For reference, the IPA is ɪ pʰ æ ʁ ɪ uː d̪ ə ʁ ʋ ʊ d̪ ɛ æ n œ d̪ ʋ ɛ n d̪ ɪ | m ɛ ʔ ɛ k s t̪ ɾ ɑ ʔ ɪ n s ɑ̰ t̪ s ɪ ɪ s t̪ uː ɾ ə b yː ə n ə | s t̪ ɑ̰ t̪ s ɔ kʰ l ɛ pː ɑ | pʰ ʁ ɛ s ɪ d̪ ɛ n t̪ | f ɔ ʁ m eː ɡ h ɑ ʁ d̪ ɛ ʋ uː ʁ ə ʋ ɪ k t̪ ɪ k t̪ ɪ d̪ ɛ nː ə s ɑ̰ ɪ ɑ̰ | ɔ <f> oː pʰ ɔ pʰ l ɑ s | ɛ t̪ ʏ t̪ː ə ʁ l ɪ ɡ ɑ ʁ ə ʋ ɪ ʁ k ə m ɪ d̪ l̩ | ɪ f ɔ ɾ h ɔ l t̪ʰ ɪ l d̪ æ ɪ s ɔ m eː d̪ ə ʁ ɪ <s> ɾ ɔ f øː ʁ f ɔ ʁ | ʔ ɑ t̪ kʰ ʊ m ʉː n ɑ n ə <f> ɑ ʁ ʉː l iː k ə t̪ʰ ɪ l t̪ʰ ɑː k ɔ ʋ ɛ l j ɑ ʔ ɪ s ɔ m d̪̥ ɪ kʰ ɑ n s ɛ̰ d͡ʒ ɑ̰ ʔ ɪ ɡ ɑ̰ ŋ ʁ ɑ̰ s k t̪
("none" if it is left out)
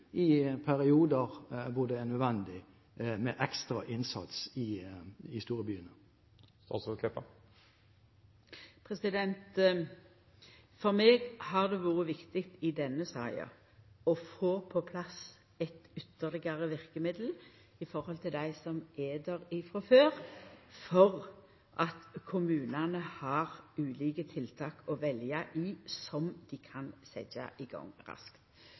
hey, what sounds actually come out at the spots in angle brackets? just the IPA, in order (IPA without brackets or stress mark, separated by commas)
f, f, h